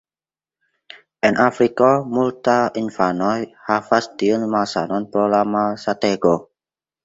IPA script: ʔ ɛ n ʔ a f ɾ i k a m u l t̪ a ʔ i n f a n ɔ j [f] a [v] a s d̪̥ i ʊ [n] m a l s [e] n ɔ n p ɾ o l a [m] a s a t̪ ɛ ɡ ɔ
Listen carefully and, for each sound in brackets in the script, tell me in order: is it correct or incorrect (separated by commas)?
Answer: incorrect, incorrect, correct, incorrect, correct